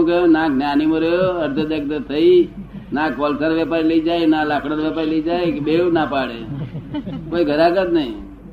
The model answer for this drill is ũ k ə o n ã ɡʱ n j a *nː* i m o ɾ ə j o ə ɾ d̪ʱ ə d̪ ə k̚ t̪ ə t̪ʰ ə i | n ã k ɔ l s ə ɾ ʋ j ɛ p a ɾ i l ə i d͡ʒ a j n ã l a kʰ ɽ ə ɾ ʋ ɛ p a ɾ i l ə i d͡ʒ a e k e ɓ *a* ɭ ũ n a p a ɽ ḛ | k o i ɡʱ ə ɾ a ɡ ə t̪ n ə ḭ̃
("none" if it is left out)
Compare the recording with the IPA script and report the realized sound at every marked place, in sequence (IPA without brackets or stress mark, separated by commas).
n, e